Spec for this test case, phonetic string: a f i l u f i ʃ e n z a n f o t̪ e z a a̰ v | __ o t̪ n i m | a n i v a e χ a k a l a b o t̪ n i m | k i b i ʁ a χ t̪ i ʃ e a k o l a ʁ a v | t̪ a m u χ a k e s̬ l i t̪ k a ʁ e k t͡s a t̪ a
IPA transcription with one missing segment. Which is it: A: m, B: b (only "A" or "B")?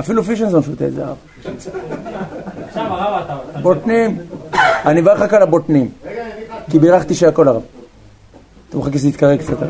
B